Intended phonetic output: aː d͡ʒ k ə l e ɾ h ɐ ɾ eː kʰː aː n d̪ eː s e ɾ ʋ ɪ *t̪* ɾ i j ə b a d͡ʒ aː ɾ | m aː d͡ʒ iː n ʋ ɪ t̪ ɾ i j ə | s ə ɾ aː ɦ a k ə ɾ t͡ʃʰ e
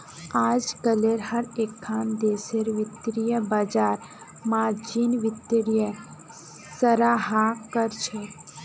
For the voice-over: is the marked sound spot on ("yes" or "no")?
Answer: yes